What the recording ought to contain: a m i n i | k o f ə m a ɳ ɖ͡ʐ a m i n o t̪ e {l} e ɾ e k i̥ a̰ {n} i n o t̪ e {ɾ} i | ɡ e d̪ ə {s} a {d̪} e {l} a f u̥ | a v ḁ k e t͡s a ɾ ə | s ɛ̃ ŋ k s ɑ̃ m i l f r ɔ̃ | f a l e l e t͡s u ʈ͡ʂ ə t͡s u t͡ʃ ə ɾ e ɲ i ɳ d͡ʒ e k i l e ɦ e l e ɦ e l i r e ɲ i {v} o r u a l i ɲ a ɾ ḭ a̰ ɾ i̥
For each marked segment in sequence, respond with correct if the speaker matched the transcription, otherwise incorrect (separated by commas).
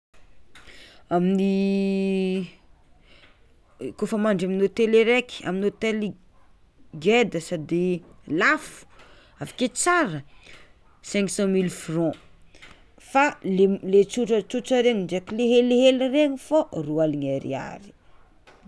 correct, incorrect, incorrect, correct, correct, correct, incorrect